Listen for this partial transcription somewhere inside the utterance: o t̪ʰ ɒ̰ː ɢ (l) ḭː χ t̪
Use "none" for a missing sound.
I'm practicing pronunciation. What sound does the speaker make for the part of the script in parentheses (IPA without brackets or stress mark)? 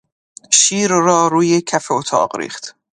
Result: ɾ